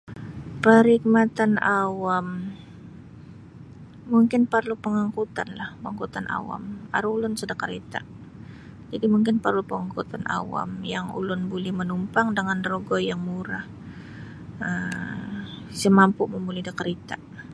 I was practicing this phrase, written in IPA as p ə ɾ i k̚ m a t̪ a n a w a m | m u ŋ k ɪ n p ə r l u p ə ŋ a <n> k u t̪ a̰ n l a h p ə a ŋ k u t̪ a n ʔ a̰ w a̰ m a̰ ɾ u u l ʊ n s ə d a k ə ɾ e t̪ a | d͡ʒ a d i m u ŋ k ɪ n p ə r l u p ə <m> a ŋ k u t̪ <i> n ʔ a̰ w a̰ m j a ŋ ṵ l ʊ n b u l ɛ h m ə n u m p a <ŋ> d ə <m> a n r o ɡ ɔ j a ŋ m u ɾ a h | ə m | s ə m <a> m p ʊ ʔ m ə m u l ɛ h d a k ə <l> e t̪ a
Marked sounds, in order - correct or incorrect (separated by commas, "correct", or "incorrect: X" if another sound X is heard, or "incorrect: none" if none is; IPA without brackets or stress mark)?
incorrect: ŋ, incorrect: ŋ, incorrect: a, correct, incorrect: ŋ, correct, incorrect: ɾ